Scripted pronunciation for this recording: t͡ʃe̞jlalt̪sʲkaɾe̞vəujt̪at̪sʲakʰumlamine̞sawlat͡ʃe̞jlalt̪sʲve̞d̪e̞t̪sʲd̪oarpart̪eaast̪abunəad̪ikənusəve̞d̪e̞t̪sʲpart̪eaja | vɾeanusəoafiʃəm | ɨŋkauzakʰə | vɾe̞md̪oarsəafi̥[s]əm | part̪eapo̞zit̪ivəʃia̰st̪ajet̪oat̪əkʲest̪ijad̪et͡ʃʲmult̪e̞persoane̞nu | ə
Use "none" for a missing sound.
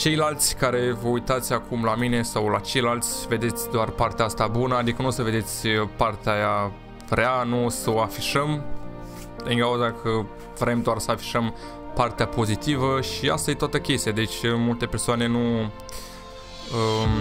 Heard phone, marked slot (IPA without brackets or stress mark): ʃ